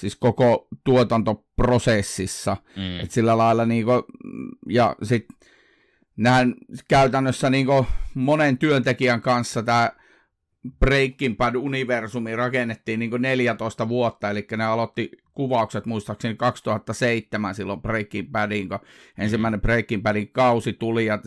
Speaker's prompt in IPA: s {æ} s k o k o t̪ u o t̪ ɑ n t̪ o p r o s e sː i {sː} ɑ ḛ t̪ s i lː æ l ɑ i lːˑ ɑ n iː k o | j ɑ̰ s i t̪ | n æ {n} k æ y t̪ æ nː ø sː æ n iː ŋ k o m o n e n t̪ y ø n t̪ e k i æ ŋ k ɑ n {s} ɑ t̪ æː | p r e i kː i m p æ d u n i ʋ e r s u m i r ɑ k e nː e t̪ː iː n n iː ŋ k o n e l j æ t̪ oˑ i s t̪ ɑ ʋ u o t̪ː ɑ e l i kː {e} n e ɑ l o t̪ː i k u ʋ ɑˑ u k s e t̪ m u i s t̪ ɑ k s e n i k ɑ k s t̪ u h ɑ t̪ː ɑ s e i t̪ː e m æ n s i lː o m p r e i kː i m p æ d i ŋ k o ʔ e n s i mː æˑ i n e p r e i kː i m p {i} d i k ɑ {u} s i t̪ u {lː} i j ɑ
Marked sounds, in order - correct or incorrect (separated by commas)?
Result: incorrect, correct, correct, incorrect, incorrect, incorrect, correct, incorrect